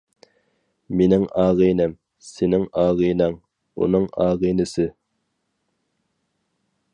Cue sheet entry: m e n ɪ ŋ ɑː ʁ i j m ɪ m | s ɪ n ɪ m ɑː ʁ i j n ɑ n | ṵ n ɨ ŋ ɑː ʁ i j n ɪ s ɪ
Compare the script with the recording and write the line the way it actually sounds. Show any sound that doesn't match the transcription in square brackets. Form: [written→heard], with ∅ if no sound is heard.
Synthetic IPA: m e n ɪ ŋ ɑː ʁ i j [m→n] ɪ m | s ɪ n ɪ [m→ŋ] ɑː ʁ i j n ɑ [n→ŋ] | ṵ n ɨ ŋ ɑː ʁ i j n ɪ s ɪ